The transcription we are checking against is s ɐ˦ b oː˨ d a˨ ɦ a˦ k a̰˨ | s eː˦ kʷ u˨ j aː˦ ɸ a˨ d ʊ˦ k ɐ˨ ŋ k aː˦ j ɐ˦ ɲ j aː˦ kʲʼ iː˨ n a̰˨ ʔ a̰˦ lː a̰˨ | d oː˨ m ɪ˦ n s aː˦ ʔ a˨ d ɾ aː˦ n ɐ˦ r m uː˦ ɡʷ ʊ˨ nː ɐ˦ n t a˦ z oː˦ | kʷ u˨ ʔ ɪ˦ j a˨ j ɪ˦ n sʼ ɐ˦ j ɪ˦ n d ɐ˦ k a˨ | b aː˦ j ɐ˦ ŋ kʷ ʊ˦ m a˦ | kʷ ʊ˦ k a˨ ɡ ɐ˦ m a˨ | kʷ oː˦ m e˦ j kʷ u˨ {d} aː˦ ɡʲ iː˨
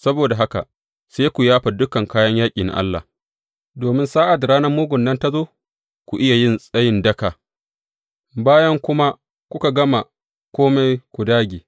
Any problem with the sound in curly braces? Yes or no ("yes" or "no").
no